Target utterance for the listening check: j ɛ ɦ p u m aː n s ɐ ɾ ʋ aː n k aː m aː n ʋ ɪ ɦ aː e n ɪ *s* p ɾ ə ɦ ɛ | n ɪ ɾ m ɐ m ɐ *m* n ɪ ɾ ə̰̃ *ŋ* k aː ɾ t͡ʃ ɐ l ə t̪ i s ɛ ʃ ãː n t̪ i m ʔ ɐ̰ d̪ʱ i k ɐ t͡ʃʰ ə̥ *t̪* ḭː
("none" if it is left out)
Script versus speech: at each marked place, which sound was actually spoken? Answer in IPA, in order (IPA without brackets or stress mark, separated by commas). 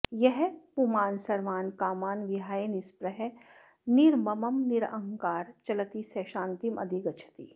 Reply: s, m, ŋ, t̪